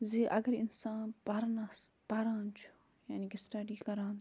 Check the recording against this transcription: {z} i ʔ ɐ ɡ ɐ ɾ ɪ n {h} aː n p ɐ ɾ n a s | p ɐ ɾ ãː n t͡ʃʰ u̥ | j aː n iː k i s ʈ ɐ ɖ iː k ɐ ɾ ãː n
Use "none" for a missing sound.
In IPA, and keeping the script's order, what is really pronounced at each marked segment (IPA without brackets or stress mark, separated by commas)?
z, s